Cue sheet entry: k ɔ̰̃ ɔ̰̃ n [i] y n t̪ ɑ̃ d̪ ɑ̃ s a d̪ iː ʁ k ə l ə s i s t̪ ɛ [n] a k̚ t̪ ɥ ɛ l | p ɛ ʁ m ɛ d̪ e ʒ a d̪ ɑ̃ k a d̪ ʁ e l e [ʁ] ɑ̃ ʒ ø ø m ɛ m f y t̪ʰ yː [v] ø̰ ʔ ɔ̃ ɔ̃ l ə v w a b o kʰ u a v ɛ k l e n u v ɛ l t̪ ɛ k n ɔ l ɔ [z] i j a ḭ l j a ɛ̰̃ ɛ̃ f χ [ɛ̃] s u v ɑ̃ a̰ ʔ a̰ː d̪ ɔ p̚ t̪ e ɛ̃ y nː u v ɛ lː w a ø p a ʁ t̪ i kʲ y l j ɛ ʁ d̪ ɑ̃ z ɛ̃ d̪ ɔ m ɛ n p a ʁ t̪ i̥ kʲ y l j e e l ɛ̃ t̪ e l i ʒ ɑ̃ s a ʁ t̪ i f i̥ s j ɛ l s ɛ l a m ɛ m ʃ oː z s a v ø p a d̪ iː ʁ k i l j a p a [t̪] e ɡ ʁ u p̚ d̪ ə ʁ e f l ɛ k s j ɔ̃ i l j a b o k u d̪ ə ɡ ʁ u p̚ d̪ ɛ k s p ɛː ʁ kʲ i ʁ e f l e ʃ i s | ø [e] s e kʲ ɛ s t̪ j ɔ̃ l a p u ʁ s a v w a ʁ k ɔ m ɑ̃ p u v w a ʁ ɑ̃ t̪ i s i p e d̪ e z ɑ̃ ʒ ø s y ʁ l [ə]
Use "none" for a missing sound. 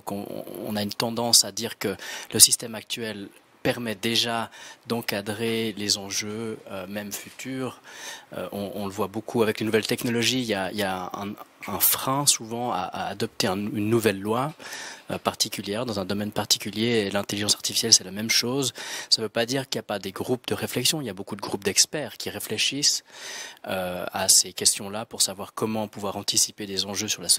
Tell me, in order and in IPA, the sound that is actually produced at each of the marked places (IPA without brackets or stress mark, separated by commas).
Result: a, m, z, ʁ, ʒ, ɛ̃, d̪, a, a